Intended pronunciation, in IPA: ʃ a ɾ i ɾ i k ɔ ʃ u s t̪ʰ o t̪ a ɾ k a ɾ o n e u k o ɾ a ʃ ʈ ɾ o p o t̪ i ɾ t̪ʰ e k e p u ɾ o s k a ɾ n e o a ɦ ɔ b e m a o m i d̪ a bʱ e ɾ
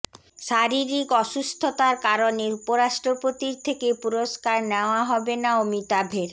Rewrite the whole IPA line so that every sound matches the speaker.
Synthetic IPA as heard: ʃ a ɾ i ɾ i k ɔ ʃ u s t̪ʰ o t̪ a ɾ k a ɾ o n e u p o ɾ a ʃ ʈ ɾ o p o t̪ i ɾ t̪ʰ e k e p u ɾ o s k a ɾ n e o a ɦ ɔ b e n a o m i t̪ a bʱ e ɾ